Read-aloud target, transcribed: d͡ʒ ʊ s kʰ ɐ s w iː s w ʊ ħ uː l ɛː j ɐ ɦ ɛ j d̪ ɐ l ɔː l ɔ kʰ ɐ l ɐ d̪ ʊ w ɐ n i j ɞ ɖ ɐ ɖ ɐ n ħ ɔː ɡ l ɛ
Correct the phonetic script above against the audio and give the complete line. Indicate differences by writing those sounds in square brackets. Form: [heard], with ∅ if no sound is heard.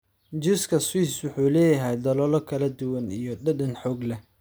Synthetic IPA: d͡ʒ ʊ s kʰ ɐ s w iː s w ʊ ħ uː l ɛː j ɐ ɦ ɛ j d̪ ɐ l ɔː l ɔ kʰ ɐ l ɐ d̪ ʊ w ɐ n i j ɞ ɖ ɐ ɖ ɐ n ħ ɔː ɡ l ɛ